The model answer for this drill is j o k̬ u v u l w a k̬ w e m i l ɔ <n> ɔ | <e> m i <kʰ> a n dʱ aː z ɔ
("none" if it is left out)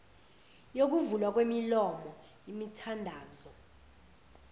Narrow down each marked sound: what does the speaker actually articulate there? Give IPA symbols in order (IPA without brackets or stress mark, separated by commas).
m, i, tʰ